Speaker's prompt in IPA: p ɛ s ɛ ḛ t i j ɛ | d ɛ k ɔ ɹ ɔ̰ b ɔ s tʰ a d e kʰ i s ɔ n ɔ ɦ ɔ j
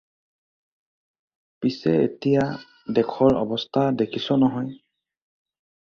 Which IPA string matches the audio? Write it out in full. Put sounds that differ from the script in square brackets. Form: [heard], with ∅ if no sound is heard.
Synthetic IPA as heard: p [i] s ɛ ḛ t i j [a] | d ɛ [kʰ] ɔ ɹ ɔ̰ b ɔ s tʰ a d e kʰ i s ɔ n ɔ ɦ ɔ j